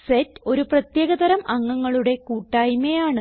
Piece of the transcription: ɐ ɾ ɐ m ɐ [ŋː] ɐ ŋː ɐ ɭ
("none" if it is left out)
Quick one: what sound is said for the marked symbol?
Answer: ŋː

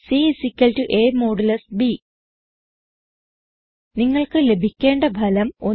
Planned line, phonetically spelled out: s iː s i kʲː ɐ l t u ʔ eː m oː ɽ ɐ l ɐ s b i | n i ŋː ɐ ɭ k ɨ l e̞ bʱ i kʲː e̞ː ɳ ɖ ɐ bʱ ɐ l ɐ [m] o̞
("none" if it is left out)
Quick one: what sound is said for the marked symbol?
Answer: m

